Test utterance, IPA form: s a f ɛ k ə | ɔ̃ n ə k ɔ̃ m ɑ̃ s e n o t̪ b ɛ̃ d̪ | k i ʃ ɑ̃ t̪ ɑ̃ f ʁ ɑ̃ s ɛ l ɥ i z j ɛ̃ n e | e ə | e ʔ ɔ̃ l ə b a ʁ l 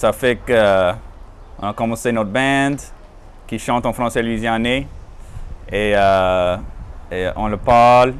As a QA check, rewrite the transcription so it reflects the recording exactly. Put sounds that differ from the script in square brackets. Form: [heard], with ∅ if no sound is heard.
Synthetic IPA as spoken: s a f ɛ k ə | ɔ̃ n [a] k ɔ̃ m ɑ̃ s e n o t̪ b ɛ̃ d̪ | k i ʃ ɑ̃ t̪ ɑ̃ f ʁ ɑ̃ s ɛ l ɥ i z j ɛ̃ n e | e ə | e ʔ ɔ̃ l ə [p] a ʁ l